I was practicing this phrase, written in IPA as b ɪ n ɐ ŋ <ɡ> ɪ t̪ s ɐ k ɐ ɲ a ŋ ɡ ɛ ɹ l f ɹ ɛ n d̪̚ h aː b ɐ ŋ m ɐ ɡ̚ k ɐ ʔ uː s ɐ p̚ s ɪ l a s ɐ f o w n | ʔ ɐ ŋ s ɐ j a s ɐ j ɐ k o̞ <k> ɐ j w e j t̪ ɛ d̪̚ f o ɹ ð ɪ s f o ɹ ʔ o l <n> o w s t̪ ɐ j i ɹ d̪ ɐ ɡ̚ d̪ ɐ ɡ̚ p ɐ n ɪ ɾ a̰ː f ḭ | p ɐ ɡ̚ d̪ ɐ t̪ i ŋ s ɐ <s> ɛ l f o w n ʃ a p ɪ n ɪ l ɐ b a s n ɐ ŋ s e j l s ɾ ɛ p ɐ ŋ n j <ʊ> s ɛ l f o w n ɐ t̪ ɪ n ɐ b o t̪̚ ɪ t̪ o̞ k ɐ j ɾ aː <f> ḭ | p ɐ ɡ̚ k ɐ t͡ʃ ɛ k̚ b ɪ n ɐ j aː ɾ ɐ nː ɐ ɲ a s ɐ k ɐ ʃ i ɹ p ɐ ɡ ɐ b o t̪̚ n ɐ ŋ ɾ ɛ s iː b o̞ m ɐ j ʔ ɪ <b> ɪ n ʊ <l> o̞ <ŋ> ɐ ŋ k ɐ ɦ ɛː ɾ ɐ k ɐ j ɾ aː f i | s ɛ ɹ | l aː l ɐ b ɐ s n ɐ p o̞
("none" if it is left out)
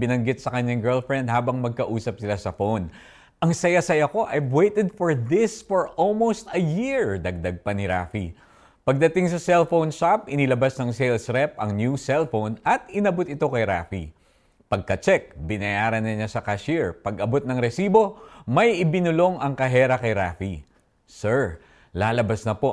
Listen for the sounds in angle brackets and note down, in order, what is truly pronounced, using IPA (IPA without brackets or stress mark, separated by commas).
ɡ, ʔ, m, s, u, f, b, l, ŋ